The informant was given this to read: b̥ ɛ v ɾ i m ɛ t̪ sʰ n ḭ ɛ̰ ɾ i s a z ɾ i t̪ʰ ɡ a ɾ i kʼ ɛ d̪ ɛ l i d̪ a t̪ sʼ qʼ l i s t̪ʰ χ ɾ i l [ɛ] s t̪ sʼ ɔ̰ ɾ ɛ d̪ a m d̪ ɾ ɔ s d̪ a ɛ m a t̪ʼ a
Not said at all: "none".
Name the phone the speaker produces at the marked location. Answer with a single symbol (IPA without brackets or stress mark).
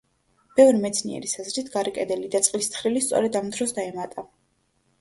i